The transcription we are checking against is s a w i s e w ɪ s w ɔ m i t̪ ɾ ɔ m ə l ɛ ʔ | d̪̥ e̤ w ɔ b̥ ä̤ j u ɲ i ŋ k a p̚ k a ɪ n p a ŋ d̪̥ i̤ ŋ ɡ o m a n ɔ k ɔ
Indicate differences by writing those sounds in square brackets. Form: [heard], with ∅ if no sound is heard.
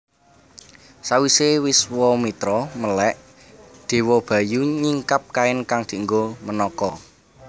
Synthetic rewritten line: s a w i s e w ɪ s w ɔ m i t̪ ɾ ɔ m ə l ɛ ʔ | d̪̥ e̤ w ɔ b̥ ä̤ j u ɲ i ŋ k a p̚ k a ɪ n [k] a ŋ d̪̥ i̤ ŋ ɡ o m [ə] n ɔ k ɔ